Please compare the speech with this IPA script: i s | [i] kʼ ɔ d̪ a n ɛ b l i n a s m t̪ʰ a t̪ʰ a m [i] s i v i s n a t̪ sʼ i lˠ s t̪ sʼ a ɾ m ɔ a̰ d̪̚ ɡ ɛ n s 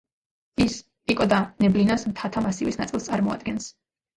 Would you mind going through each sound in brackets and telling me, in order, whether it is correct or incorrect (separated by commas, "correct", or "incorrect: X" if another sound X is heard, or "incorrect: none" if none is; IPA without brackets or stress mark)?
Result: correct, incorrect: a